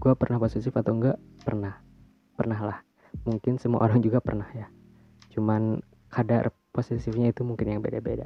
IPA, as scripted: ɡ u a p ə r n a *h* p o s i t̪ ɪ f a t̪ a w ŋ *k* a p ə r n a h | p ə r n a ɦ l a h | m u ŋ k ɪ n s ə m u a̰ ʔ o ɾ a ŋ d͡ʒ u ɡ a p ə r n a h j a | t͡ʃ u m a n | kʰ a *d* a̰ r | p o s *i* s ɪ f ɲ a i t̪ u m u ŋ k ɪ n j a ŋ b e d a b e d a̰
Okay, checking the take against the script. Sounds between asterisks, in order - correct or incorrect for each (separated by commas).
correct, incorrect, correct, correct